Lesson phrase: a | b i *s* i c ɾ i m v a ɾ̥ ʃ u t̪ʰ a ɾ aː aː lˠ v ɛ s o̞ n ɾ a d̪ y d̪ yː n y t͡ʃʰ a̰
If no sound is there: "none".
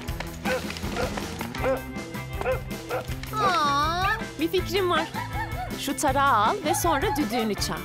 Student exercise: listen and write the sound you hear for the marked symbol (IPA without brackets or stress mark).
f